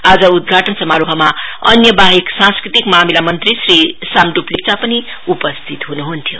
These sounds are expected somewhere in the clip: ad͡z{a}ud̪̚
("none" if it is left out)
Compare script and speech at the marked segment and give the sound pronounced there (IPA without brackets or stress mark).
ʌ